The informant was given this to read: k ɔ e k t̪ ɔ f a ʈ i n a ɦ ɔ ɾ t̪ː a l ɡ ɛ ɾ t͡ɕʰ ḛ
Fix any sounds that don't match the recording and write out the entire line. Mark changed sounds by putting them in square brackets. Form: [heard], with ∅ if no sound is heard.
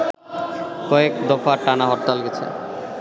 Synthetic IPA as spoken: k ɔ e k [d̪] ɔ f a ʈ [a] n a ɦ ɔ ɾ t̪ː a l ɡ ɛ [∅] t͡ɕʰ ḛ